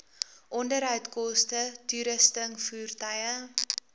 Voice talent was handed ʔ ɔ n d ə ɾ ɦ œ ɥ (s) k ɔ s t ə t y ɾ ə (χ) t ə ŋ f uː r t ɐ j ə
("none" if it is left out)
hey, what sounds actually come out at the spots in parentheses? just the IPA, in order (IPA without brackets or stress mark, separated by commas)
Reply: t, s